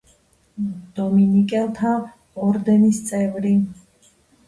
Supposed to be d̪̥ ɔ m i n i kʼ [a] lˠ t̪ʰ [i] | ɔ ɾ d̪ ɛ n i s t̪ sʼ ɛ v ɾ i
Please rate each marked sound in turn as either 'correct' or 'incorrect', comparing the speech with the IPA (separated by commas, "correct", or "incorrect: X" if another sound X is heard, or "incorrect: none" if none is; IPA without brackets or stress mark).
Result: incorrect: ɛ, incorrect: a